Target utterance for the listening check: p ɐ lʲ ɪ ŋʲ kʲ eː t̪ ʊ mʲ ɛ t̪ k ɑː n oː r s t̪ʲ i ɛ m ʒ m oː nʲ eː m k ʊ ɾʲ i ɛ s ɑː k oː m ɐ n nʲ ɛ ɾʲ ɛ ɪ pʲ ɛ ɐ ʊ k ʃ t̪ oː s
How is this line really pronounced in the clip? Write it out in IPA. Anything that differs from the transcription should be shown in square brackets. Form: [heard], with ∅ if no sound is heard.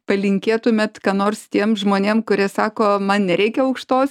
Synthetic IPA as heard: p ɐ lʲ ɪ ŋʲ kʲ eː t̪ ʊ mʲ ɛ t̪ k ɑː n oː r s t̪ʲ i ɛ m ʒ m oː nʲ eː m k ʊ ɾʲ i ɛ s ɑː k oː m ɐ n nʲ ɛ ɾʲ ɛ ɪ [kʲ] ɛ ɐ ʊ k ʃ t̪ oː s